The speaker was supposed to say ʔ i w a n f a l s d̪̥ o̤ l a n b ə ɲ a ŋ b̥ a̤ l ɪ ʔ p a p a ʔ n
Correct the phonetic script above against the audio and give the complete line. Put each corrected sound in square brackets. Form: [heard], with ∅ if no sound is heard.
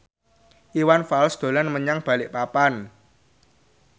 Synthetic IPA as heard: ʔ i w a n f a l s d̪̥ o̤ l a n [m] ə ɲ a ŋ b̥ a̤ l ɪ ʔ p a p a [∅] n